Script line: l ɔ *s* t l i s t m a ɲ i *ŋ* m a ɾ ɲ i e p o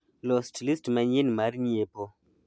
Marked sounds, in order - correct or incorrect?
correct, incorrect: n

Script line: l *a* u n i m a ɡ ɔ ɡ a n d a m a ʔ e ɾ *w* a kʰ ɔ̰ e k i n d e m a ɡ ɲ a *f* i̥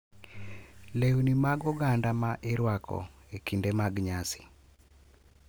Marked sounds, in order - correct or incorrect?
incorrect: e, correct, incorrect: s

